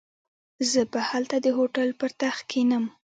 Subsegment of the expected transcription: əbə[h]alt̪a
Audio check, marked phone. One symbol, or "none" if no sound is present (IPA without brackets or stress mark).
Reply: h